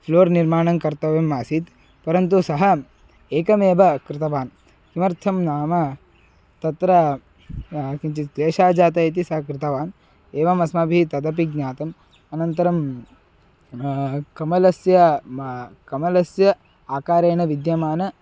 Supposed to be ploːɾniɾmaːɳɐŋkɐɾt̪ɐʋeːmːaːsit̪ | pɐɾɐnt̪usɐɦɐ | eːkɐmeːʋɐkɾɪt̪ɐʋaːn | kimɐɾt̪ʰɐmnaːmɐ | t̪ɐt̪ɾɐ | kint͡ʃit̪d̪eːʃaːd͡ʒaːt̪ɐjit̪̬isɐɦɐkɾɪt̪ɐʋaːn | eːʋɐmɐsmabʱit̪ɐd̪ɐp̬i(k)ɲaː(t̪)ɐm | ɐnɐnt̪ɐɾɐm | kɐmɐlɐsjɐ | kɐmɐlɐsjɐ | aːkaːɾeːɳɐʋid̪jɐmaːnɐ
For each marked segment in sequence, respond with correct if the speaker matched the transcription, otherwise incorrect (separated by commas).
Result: incorrect, correct